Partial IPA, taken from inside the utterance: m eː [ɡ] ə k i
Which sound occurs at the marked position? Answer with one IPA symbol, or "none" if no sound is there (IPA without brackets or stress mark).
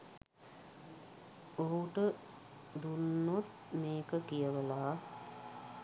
k